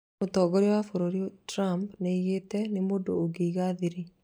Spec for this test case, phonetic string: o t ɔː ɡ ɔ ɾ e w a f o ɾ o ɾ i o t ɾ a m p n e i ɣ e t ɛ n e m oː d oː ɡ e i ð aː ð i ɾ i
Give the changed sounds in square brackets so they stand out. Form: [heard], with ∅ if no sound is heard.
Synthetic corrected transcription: o t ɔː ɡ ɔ ɾ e w a f o ɾ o ɾ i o t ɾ a m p n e i ɣ e t ɛ n e m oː d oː ɡ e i [ɣ] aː ð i ɾ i